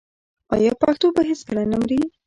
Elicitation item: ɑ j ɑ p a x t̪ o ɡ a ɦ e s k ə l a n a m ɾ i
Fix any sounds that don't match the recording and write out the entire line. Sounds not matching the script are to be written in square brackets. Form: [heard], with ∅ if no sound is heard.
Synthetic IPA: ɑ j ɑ p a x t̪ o [b] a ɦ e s k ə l a n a m ɾ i